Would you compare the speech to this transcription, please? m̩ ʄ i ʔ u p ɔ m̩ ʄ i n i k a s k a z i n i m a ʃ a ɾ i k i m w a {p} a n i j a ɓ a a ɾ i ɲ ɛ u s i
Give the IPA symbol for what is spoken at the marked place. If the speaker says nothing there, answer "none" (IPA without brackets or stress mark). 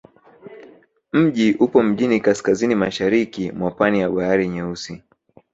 p